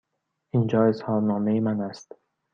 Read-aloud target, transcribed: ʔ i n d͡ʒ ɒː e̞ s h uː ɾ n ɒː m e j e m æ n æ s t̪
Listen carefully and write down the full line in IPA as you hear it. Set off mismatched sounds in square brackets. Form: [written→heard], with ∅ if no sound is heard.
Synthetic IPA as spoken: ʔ i n d͡ʒ ɒː e̞ s h [uː→ɒː] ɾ n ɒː m e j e m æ n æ s t̪